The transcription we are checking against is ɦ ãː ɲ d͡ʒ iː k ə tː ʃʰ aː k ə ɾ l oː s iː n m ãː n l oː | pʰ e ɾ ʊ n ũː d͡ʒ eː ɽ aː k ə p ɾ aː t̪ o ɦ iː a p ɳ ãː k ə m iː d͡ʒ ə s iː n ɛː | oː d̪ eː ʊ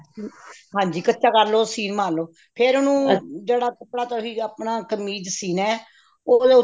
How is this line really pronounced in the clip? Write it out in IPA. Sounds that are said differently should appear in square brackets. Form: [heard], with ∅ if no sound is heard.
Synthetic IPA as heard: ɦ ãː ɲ d͡ʒ iː k ə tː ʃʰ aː k ə ɾ l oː s iː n m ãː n l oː | pʰ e ɾ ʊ n ũː d͡ʒ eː ɽ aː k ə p [ɽ] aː t̪ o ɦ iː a p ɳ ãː k ə m iː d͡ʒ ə s iː n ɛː | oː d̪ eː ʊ